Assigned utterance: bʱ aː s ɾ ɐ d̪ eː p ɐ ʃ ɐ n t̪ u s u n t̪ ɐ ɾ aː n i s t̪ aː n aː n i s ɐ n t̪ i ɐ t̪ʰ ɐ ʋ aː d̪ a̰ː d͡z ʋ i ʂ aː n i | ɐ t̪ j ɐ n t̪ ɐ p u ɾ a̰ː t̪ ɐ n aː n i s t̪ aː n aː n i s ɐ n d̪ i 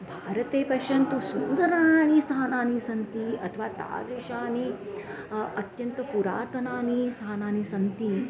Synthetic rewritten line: bʱ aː ɾ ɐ t̪ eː p ɐ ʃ ɐ n t̪ u s u n d̪ ɐ ɾ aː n i s t̪ʰ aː n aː n i s ɐ n t̪ i ɐ t̪ʰ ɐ ʋ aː t̪ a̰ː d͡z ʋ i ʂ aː n i | ɐ t̪ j ɐ n t̪ ɐ p u ɾ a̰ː t̪ ɐ n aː n i s t̪ʰ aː n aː n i s ɐ n t̪ i